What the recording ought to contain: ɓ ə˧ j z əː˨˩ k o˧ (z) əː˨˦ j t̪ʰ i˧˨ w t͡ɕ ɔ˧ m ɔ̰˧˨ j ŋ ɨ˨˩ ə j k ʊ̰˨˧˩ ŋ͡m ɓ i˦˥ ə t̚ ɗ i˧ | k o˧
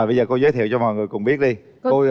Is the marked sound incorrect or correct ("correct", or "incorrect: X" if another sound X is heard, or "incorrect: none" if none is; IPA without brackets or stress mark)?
correct